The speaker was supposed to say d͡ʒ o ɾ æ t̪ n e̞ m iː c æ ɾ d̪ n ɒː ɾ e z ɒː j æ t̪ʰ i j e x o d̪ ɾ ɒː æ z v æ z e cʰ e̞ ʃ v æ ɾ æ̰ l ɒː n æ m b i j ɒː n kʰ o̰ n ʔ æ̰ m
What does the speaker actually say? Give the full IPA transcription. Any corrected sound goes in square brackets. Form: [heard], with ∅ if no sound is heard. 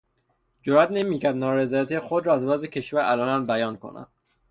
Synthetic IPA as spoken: d͡ʒ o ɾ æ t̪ n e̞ m iː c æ ɾ d̪ n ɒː ɾ e z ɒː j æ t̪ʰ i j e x o d̪ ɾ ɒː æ z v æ z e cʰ e̞ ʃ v æ ɾ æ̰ l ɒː n æ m b [æ] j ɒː n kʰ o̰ n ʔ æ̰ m